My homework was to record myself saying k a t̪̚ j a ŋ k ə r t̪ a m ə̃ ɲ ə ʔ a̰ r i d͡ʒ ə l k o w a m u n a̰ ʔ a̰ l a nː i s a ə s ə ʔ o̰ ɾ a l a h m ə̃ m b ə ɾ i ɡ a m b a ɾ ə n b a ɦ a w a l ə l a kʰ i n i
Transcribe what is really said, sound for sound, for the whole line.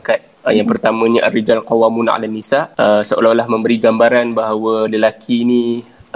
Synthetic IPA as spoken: k a t̪̚ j a ŋ p ə r t̪ a m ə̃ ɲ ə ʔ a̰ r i d͡ʒ a l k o w a m u n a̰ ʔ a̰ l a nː i s a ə s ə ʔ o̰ l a l a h m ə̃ m b ə ɾ i ɡ a m b a ɾ a n b a ɦ a w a l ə l a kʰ i n i